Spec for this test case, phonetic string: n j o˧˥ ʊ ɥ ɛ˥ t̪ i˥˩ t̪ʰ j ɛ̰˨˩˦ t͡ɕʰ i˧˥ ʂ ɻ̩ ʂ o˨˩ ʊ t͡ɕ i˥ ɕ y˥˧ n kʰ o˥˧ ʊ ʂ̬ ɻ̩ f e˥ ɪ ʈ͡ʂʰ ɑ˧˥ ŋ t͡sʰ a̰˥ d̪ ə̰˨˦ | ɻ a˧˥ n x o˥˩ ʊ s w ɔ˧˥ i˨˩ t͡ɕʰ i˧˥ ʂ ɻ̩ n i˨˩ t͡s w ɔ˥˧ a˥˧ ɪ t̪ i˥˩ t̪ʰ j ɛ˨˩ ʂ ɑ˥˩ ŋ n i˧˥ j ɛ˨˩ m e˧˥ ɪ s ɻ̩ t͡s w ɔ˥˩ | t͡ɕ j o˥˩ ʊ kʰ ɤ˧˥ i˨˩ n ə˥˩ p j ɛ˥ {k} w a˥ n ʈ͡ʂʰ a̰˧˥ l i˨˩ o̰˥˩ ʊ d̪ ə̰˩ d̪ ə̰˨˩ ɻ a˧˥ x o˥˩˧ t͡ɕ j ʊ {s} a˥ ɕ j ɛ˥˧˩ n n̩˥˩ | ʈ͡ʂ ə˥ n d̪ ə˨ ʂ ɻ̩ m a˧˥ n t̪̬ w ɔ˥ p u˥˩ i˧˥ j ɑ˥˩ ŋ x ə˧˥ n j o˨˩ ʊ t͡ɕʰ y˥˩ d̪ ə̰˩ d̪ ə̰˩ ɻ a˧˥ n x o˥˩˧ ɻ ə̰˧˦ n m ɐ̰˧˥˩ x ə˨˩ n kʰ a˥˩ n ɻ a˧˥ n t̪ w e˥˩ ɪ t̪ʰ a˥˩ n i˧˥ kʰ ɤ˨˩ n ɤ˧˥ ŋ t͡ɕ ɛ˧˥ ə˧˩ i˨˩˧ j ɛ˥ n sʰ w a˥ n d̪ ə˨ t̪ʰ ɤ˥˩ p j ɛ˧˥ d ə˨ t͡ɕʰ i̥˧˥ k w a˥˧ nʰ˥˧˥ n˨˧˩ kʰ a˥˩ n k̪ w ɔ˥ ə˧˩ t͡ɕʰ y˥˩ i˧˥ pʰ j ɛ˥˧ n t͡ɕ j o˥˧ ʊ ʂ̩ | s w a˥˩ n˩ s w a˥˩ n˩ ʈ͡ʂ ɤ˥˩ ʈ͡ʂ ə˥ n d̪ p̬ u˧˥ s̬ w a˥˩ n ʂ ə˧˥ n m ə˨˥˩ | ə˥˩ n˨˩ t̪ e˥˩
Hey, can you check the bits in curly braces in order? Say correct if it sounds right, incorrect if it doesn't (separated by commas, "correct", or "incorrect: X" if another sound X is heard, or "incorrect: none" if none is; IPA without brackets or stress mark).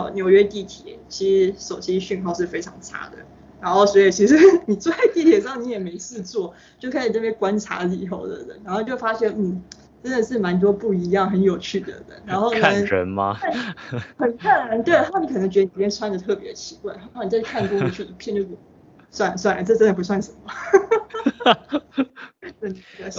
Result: correct, incorrect: f